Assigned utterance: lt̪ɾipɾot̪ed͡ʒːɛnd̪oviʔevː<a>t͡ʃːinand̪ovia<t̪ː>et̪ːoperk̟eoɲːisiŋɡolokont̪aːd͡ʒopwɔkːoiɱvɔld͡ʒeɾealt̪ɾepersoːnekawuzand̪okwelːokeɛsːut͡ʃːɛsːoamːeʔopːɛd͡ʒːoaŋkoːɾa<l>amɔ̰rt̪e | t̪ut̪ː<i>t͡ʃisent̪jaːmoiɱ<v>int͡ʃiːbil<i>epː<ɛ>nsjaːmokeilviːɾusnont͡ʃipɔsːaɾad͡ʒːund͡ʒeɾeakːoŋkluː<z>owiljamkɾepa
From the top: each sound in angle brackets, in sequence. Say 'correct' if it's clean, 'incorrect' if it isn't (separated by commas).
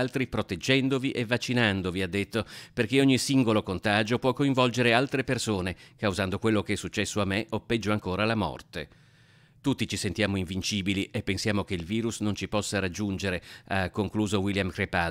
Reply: correct, incorrect, correct, correct, correct, correct, incorrect, correct